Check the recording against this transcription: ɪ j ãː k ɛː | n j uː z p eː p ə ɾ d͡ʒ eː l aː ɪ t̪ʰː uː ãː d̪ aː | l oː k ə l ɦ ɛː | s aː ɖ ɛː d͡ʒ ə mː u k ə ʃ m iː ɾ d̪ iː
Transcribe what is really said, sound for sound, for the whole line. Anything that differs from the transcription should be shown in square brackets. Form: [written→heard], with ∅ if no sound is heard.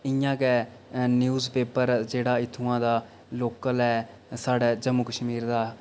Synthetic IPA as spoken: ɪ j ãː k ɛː | n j uː z p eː p ə ɾ d͡ʒ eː [l→ɽ] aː ɪ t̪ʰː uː ãː d̪ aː | l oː k ə l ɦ ɛː | s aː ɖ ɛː d͡ʒ ə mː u k ə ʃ m iː ɾ d̪ [iː→aː]